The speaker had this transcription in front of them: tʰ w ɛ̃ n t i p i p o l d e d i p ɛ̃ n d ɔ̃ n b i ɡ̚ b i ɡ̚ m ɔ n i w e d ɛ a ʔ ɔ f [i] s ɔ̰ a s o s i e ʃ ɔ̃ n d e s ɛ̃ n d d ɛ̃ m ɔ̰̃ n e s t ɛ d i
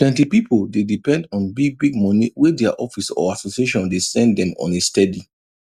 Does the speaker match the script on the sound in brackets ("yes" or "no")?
yes